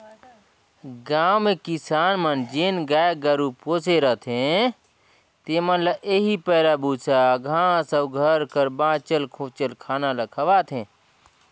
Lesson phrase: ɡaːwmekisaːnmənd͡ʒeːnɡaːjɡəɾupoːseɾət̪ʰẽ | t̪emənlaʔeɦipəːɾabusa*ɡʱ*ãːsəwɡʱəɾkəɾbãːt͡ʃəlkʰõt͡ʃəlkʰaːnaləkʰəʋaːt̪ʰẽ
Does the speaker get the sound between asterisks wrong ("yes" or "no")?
no